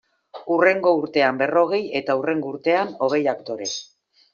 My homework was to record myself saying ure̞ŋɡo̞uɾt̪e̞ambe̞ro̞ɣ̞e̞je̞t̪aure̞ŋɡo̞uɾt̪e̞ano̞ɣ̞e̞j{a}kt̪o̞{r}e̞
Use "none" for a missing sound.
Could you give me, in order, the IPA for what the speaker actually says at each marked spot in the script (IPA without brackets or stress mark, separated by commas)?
a, ɾ